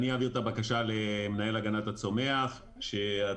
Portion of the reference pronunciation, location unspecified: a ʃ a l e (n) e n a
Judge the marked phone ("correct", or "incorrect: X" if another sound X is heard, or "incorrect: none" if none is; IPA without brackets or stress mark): incorrect: m